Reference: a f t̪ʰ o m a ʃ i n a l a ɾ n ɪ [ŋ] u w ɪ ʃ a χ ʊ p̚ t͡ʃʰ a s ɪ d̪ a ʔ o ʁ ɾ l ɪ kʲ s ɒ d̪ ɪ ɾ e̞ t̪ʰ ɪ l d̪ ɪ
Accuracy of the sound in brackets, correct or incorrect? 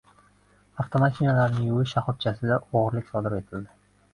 correct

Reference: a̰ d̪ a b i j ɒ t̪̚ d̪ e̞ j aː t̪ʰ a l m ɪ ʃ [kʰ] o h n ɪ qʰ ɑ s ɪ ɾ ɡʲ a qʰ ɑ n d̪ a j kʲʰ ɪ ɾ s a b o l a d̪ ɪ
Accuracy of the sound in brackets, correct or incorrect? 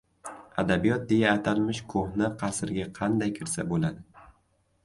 correct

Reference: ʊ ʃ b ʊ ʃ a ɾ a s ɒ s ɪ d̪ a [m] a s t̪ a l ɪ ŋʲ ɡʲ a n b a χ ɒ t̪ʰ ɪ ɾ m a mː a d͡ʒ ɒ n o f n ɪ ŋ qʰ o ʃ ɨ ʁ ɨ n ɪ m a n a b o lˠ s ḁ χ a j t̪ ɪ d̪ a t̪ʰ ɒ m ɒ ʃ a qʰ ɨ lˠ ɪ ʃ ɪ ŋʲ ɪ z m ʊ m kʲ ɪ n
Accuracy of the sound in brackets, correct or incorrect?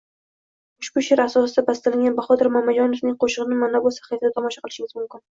incorrect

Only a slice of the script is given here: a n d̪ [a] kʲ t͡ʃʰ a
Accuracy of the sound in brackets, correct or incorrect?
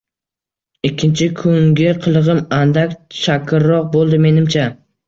correct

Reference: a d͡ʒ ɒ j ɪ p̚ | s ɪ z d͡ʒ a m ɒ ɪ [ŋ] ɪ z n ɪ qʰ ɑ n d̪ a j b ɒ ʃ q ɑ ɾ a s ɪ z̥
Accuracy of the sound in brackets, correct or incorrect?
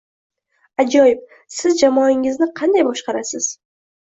correct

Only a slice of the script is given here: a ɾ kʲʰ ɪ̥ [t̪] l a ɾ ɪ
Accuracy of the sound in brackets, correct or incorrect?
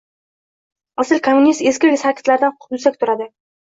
correct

